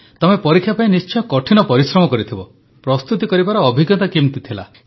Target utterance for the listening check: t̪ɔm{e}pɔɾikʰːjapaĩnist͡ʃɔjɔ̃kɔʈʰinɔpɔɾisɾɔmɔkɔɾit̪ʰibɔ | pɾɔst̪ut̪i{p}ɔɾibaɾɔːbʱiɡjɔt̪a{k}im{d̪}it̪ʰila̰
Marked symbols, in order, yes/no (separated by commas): yes, no, yes, no